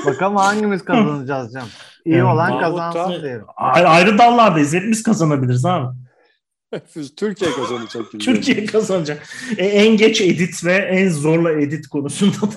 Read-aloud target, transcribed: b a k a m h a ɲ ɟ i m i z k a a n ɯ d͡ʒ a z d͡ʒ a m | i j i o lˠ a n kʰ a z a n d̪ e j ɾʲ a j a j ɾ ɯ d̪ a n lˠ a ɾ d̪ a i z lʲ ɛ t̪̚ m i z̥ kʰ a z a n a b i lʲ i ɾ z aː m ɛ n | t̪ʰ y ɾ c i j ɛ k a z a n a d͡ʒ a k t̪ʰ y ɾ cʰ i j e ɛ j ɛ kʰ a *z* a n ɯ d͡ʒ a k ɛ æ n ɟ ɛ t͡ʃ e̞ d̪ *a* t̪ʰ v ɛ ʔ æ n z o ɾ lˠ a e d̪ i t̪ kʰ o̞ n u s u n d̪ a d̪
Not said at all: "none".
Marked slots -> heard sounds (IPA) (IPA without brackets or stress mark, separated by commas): z, i